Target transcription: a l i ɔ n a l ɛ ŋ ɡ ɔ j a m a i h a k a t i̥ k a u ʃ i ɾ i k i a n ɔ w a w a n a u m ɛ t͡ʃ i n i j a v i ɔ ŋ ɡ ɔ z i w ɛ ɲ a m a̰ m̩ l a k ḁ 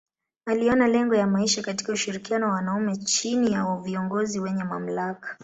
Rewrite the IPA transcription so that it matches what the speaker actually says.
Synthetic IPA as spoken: a l i ɔ n a l ɛ ŋ ɡ ɔ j a m a i ʃ a k a t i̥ k a u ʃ i ɾ i k i a n ɔ w a w a n a u m ɛ t͡ʃ i n i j a v i ɔ ŋ ɡ ɔ z i w ɛ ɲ ɛ m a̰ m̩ l a k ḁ

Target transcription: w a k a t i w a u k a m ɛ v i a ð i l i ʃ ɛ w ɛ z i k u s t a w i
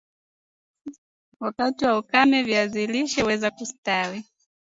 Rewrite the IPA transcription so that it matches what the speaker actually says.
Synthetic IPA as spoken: w a k a t i w a u k a m ɛ v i a z i l i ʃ ɛ w ɛ z a k u s t a w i

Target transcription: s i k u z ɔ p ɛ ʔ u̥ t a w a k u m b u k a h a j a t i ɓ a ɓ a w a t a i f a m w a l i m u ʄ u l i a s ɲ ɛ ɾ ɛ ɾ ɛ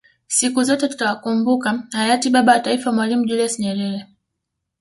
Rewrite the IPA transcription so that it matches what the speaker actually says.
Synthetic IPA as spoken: s i k u z ɔ t ɛ t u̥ t a w a k u m b u k a h a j a t i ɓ a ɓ a w a t a i f a m w a l i m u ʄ u l i a s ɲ ɛ ɾ ɛ ɾ ɛ

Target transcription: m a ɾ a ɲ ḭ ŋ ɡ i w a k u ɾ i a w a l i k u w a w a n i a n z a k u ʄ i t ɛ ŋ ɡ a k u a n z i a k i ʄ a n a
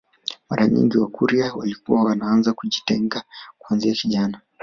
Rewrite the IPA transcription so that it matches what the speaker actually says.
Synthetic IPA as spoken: m a ɾ a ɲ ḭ ŋ ɡ i w a k u ɾ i a w a l i k u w a w a n a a n z a k u ʄ i t ɛ ŋ ɡ a k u a n z i a k i ʄ a n a

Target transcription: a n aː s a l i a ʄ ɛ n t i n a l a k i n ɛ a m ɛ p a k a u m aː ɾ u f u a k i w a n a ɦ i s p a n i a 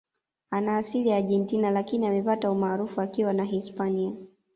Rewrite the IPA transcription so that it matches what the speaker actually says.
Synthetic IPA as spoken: a n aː s i l i a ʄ ɛ n t i n a l a k i n i a m ɛ p a t a u m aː ɾ u f u a k i w a n a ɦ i s p a n i a

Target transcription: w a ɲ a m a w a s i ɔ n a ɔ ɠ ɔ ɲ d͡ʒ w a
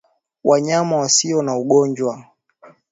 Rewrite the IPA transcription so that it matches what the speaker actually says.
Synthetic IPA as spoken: w a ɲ a m a w a s i ɔ n a u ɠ ɔ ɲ d͡ʒ w a

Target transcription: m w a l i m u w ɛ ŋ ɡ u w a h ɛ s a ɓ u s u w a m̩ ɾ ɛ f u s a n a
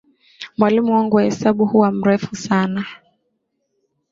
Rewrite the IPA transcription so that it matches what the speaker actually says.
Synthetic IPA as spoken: m w a l i m u w a ŋ ɡ u w a h ɛ s a ɓ u h u w a m̩ ɾ ɛ f u s a n a

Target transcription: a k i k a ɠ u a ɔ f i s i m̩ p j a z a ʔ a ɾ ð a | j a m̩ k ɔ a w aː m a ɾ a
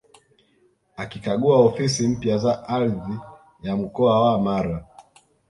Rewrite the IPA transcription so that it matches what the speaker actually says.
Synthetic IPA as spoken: a k i k a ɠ u a ɔ f i s i m̩ p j a z a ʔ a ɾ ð i | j a m̩ k ɔ a w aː m a ɾ a

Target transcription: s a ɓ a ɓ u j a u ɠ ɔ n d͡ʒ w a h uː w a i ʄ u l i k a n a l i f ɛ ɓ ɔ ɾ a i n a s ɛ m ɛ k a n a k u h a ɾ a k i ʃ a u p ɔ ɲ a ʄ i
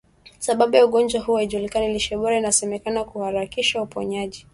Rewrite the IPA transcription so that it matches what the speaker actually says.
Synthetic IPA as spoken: s a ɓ a ɓ u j a u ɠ ɔ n d͡ʒ w a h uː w a i ʄ u l i k a n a l i ʃ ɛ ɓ ɔ ɾ a i n a s ɛ m ɛ k a n a k u h a ɾ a k i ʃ a u p ɔ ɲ a ʄ i

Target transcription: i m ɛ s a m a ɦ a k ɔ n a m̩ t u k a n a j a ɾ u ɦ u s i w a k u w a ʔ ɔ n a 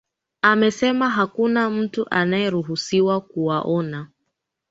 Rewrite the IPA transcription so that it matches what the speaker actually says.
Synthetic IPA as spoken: a m ɛ s ɛ m a ɦ a k u n a m̩ t u ʔ a n a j ɛ ɾ u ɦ u s i w a k u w a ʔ ɔ n a

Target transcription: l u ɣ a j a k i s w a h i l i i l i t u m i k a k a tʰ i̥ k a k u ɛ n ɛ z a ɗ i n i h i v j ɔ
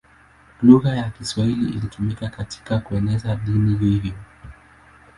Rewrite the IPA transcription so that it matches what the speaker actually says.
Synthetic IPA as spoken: l u ɣ a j a k i s w a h i l i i l i t u m i k a k a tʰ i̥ k a k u ɛ n ɛ z a ɗ i n i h i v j ɔ

